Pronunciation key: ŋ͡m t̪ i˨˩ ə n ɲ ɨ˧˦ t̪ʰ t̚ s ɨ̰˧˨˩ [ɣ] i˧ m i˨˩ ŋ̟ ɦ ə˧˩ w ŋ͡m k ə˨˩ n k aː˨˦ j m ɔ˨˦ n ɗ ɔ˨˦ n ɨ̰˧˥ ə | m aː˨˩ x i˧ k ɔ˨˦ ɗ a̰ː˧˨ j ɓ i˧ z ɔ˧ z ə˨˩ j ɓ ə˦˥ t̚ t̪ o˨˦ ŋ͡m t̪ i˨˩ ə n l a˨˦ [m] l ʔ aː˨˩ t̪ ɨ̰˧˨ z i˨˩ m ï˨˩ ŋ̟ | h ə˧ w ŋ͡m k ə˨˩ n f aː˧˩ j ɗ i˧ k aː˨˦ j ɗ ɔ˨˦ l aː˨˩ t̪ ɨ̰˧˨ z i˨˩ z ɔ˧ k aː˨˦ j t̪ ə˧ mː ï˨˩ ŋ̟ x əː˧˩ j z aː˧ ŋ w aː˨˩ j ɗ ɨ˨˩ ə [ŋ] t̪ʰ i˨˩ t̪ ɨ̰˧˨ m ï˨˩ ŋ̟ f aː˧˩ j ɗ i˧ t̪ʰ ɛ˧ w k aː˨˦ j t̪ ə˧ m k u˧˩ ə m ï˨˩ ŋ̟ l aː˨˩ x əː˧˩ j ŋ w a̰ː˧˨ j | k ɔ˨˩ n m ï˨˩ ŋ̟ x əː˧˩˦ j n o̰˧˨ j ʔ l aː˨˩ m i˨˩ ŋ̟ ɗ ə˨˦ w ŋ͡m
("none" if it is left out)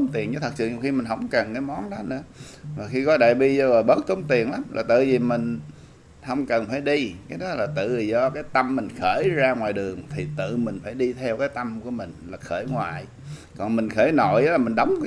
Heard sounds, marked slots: x, m, ŋ

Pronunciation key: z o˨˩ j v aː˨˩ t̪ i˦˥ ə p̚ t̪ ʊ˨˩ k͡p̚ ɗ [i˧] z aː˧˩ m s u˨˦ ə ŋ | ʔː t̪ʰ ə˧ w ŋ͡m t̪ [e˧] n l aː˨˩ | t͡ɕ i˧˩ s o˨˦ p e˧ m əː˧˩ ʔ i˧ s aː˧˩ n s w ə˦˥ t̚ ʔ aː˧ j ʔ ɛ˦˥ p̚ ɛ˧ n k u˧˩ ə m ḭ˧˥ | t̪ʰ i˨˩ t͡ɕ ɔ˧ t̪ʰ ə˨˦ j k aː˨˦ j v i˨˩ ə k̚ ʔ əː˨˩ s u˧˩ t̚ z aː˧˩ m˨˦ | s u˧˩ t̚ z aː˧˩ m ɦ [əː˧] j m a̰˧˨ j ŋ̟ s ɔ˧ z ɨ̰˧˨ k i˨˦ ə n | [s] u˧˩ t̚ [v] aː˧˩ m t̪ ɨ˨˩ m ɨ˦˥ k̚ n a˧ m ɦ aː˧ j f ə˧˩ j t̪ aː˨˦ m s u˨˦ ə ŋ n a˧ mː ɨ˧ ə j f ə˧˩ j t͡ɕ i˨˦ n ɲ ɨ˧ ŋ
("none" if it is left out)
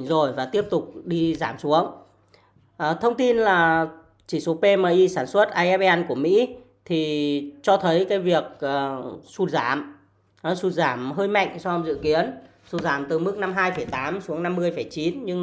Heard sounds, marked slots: i˧, i˧, əː˧, s, z

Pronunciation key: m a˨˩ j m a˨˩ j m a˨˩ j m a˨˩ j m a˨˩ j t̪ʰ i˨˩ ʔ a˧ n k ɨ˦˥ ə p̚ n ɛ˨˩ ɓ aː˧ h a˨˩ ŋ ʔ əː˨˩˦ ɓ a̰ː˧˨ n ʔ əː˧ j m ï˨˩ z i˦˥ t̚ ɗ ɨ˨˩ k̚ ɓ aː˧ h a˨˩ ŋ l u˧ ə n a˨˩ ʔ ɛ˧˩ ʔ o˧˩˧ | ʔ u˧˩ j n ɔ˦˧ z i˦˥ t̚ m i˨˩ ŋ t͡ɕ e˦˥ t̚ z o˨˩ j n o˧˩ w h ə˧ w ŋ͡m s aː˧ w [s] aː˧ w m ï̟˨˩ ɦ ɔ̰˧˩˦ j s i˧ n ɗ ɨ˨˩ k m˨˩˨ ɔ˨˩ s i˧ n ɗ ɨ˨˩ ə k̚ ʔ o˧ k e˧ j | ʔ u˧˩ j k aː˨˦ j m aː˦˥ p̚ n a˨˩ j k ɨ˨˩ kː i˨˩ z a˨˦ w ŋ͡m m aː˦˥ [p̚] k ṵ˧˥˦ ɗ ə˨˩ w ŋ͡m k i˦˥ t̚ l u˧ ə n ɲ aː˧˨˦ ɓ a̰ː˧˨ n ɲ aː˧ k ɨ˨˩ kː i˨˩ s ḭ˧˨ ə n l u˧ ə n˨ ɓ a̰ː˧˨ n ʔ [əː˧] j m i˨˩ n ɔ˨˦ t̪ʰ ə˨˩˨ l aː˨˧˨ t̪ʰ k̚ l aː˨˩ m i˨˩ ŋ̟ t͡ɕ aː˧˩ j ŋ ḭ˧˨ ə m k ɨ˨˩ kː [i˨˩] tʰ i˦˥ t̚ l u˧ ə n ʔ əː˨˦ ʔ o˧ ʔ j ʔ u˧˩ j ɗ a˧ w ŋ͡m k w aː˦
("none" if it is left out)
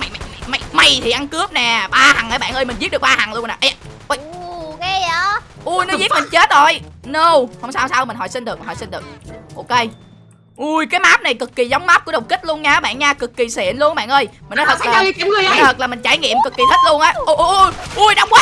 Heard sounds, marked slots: s, p̚, əː˧, i˨˩

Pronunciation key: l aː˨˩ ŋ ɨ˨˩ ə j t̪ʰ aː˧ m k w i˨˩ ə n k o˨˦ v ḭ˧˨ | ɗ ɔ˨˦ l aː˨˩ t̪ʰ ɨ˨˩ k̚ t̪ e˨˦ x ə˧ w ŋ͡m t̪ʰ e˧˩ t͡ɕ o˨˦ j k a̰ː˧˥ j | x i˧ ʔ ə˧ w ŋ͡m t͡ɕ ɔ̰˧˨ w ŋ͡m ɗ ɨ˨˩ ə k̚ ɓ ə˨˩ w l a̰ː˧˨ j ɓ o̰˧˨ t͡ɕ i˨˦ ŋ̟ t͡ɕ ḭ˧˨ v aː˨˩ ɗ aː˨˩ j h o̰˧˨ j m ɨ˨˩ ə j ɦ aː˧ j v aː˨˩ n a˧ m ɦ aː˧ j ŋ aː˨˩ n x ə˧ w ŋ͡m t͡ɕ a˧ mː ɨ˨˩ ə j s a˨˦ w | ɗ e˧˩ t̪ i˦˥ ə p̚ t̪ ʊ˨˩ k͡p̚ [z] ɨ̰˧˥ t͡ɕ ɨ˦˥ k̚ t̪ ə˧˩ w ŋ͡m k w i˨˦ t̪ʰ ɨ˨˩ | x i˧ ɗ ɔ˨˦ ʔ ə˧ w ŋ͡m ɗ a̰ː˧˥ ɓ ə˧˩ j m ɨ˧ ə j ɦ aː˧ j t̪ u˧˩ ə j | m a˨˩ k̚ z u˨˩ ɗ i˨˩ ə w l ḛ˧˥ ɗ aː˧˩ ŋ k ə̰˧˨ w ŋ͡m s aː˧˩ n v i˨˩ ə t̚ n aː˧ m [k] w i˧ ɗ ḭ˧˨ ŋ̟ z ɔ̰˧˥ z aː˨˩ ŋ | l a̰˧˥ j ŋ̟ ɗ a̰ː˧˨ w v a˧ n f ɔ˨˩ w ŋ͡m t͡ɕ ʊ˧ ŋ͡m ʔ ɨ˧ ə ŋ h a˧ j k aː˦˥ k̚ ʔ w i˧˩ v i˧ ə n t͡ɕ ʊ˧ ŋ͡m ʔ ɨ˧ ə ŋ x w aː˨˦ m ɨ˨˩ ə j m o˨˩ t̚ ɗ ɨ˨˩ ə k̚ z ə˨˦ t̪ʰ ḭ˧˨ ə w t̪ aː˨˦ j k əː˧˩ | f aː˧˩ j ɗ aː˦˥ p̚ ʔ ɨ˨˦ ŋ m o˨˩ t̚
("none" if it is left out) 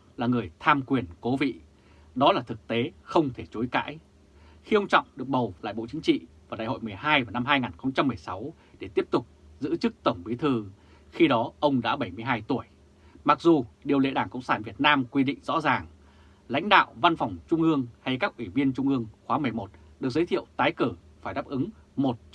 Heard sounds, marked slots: z, k

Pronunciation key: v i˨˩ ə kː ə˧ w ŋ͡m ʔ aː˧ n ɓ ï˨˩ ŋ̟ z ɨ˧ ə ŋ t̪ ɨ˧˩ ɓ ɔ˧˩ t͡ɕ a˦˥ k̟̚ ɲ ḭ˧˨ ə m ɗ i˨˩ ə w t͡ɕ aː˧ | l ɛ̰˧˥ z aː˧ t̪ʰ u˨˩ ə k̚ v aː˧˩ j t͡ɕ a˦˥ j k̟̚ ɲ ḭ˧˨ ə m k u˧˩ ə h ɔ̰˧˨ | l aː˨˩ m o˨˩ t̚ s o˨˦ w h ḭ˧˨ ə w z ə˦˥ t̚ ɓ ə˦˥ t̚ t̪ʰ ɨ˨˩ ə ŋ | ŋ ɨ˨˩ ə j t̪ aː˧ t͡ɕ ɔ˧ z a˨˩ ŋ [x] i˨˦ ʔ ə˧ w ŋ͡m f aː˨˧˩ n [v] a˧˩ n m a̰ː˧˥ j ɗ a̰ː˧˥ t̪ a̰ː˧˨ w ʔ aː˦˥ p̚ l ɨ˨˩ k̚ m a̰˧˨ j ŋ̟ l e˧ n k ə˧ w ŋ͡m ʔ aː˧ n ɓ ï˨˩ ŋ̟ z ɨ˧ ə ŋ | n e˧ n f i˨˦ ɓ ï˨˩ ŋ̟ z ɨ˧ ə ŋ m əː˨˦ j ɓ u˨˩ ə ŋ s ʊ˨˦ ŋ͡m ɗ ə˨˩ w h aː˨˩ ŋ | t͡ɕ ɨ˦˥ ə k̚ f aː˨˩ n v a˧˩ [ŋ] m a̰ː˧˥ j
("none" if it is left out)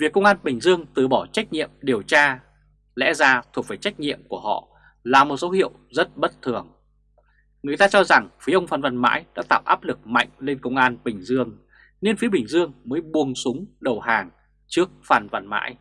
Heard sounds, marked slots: f, v, n

